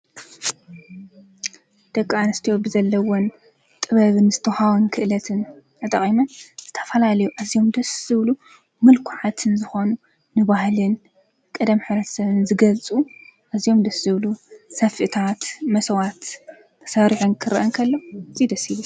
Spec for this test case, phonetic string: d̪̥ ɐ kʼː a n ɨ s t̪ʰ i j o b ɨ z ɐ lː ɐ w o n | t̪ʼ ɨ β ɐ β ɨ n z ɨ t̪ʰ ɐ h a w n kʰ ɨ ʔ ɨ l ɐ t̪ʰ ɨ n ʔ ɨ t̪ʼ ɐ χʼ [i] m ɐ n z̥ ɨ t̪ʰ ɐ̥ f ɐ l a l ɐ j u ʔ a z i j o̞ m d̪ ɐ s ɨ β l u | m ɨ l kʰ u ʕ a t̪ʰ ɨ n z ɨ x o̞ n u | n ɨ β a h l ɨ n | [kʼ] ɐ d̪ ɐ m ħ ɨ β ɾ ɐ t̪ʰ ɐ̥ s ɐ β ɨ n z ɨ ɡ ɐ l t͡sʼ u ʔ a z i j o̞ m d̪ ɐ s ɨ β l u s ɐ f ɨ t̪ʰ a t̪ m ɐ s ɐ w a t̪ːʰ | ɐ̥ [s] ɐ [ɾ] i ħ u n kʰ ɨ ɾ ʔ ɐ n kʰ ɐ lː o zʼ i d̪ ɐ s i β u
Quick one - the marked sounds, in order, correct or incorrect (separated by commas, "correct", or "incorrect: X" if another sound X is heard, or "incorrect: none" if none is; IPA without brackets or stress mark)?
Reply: correct, correct, correct, correct